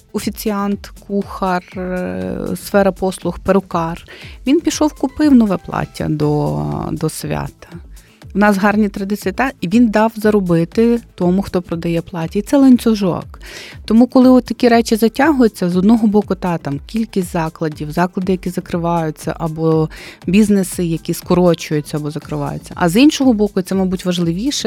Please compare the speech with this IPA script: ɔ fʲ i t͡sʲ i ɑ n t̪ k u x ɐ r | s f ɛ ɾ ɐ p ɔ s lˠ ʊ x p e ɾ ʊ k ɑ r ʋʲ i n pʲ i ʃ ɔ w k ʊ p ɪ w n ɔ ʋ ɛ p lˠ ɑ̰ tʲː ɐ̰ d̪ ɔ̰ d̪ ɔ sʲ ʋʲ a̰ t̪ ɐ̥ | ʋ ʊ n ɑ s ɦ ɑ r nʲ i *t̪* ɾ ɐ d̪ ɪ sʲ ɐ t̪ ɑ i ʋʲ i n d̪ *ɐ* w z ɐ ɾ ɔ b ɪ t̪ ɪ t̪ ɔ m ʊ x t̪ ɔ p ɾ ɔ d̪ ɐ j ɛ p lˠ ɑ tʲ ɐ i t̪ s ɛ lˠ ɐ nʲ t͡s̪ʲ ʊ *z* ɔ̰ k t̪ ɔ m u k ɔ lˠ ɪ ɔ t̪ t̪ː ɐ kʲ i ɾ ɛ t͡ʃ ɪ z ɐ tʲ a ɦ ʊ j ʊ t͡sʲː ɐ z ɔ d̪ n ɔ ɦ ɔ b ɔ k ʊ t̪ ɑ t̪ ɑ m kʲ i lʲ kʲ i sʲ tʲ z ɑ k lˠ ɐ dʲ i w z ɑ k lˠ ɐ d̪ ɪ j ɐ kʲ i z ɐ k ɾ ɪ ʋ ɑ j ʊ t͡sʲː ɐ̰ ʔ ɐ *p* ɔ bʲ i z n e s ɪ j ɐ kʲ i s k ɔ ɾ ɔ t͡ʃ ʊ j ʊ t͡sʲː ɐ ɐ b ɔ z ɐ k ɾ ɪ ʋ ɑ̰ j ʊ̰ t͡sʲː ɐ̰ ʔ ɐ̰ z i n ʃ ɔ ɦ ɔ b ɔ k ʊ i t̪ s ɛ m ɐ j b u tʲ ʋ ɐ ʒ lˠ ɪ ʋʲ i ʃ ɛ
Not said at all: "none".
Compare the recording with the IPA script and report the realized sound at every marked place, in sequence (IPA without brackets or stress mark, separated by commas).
t̪, ɑ, ʒ, b